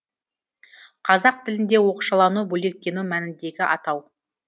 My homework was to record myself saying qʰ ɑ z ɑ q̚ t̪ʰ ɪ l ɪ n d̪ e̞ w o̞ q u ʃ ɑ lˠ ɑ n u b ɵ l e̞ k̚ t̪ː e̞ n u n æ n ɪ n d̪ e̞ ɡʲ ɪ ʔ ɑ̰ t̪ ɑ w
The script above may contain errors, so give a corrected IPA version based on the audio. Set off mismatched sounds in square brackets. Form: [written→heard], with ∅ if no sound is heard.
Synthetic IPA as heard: qʰ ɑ z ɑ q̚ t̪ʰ ɪ l ɪ n d̪ e̞ w o̞ q u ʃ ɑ lˠ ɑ n u b ɵ l e̞ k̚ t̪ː e̞ n u [n→m] æ n ɪ n d̪ e̞ ɡʲ ɪ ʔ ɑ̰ t̪ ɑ w